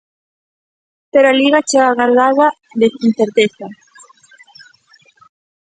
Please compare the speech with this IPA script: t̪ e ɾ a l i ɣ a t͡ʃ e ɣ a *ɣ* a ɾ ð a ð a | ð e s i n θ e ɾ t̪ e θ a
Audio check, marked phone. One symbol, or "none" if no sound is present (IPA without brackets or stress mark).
ɣ